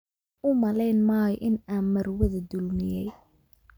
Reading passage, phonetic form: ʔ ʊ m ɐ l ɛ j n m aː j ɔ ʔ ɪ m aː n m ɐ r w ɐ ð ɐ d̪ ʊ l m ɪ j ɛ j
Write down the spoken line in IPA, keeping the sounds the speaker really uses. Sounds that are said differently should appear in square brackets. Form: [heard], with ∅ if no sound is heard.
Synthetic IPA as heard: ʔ ʊ m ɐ l ɛ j n m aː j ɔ ʔ ɪ [n] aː n m ɐ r w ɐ ð ɐ d̪ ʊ l m ɪ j ɛ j